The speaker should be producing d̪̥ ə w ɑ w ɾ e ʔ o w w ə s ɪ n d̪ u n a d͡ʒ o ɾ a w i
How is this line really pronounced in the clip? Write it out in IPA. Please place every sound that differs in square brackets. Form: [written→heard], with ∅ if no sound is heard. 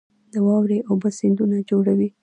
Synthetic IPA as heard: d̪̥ ə w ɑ w ɾ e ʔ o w [w→b] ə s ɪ n d̪ u n a d͡ʒ o [ɾ→ɽ] a w i